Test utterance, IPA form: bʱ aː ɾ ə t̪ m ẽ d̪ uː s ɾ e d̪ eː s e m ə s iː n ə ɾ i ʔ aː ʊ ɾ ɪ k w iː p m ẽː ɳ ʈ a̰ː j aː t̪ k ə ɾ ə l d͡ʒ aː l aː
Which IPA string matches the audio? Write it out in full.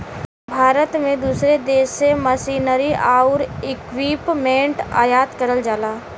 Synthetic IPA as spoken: bʱ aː ɾ ə t̪ m ẽ d̪ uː s ɾ e d̪ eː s e m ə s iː n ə ɾ i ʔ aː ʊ ɾ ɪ k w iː p m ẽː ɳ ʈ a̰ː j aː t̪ k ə ɾ ə l d͡ʒ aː l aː